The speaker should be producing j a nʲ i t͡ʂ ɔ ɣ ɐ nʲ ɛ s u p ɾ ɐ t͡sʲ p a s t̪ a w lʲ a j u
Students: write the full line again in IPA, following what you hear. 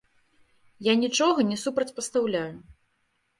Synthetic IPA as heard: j a nʲ i t͡ʂ ɔ ɣ ɐ nʲ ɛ s u p ɾ ɐ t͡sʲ p ɐ s t̪ a w lʲ a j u